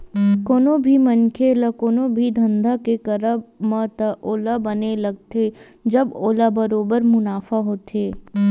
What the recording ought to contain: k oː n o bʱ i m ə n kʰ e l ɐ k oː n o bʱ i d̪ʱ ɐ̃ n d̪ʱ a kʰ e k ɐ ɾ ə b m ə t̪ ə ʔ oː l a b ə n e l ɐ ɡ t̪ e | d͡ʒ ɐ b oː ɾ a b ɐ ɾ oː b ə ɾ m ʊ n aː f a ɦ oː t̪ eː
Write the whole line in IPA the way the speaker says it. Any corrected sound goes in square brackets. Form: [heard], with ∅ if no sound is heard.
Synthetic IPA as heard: k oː n o bʱ i m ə n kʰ e l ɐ k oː n o bʱ i d̪ʱ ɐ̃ n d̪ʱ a [k] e k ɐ ɾ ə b m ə t̪ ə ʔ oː l a b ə n e l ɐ ɡ t̪ e | d͡ʒ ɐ b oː [l] a b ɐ ɾ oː b ə ɾ m ʊ n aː f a ɦ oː t̪ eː